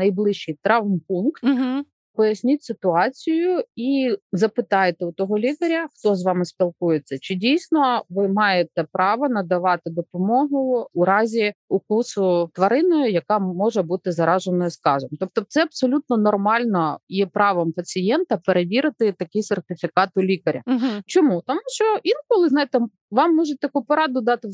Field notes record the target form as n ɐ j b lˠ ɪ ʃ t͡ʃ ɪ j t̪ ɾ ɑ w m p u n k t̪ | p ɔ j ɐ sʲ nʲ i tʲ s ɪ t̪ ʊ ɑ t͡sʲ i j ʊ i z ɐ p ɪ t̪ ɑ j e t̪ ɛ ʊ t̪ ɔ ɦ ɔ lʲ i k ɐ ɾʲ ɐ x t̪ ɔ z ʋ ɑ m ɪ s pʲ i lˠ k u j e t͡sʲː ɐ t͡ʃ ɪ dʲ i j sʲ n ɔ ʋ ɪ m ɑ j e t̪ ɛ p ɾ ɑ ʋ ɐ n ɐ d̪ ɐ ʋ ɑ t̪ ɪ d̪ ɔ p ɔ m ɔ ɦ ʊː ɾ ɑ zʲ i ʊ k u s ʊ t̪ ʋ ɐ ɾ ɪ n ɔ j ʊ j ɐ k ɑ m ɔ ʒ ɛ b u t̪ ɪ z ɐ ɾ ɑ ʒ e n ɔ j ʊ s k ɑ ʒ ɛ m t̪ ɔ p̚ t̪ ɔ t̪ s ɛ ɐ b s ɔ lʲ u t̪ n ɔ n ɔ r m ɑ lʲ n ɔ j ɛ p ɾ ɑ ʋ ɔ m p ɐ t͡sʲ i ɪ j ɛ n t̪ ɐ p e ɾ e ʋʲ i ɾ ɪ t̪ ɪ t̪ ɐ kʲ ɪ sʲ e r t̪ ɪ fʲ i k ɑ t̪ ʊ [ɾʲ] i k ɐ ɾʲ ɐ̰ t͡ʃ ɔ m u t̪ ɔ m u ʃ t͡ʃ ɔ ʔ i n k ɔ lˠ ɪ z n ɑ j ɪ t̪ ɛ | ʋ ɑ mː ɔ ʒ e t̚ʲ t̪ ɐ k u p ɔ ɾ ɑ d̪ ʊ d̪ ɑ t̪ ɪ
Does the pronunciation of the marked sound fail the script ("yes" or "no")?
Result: yes